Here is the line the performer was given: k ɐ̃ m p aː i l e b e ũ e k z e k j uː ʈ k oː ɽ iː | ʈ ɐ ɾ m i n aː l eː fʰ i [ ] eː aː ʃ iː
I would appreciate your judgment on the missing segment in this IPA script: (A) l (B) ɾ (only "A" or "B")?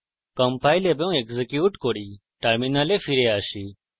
B